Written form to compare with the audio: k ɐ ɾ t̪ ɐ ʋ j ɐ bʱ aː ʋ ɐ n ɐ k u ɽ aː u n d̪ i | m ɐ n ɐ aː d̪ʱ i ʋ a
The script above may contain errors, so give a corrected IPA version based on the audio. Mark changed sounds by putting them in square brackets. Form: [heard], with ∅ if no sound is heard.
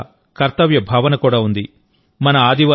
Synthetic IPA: k ɐ ɾ t̪ ɐ ʋ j ɐ bʱ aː ʋ ɐ n ɐ k [uː] ɽ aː u n d̪ i | m ɐ n ɐ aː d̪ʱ i ʋ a